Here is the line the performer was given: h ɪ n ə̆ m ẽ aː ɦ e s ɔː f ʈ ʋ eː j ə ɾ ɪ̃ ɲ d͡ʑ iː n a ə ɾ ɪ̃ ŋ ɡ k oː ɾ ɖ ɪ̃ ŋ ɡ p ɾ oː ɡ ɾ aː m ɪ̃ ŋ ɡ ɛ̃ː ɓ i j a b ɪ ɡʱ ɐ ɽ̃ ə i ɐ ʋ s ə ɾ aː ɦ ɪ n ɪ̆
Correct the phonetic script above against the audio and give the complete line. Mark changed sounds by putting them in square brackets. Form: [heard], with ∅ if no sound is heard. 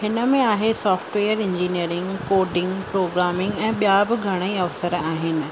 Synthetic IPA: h ɪ n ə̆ m ẽ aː ɦ e s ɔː f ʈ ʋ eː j ə ɾ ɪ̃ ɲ d͡ʑ iː n [i] ə ɾ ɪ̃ ŋ ɡ k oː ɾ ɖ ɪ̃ ŋ ɡ p ɾ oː ɡ ɾ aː m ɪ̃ ŋ ɡ ɛ̃ː ɓ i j a b ɪ ɡʱ ɐ ɽ̃ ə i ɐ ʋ s ə ɾ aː ɦ ɪ n ɪ̆